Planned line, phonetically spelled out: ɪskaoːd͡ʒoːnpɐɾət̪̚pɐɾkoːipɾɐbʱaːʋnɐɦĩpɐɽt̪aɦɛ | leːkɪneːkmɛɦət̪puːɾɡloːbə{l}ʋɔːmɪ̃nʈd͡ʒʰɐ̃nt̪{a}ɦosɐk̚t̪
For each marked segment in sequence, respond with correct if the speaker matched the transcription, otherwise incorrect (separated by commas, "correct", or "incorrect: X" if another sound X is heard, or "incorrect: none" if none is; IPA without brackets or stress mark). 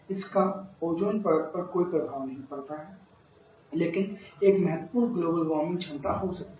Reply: correct, correct